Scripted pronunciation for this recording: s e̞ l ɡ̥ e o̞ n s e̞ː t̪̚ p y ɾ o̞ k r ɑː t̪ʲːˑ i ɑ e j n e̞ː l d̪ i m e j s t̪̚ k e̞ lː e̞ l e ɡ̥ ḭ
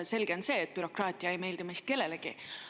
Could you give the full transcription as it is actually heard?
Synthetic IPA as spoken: s e̞ l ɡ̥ e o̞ n s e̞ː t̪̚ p y ɾ o̞ k r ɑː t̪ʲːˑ i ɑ e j m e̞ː l d̪ i m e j s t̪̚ k e̞ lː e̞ l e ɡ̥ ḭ